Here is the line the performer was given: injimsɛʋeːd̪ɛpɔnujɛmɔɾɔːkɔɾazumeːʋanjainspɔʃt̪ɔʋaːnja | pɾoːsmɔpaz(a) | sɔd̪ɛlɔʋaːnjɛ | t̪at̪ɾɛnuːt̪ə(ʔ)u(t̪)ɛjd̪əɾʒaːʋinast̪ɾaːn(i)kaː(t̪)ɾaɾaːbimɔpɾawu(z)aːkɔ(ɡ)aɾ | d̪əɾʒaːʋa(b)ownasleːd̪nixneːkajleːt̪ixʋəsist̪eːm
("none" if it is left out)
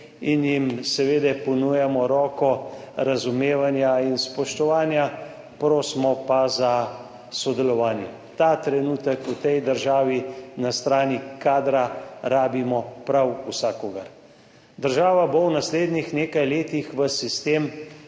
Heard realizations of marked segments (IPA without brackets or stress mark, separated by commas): a, k, t̪, i, d̪, s, ɡ, b